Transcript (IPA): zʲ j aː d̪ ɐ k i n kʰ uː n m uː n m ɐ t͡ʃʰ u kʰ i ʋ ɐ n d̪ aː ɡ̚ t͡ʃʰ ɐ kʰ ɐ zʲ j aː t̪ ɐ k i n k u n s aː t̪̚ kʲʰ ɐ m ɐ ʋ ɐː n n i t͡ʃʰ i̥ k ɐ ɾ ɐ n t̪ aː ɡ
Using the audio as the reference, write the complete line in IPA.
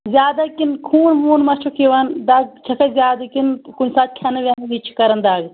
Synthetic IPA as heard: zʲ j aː d̪ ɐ k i n kʰ uː n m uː n m ɐ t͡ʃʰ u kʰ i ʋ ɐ n d̪ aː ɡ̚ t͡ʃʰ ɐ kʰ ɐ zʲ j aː d̪ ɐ k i n k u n s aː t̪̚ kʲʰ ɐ n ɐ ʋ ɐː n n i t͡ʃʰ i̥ k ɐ ɾ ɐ n d̪ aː ɡ